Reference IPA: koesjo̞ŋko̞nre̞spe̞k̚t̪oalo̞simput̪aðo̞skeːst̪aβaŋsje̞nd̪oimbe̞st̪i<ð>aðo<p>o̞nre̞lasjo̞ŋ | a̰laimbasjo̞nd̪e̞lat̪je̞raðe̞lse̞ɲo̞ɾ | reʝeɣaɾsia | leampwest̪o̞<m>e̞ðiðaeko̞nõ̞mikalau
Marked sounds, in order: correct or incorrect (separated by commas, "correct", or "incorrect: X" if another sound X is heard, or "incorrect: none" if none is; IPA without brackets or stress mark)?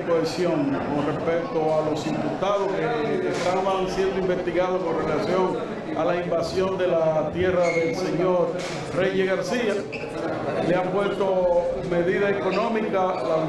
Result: incorrect: ɣ, incorrect: k, correct